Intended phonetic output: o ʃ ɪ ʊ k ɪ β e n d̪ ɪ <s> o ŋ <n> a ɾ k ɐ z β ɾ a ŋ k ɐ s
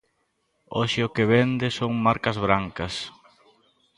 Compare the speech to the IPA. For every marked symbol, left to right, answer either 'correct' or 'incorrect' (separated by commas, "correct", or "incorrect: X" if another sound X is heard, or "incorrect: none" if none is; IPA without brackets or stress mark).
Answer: correct, incorrect: m